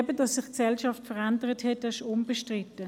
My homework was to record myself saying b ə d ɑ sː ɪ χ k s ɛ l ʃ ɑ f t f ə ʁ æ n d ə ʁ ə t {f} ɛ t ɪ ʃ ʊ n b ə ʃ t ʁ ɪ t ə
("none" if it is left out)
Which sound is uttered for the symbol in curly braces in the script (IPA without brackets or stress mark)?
h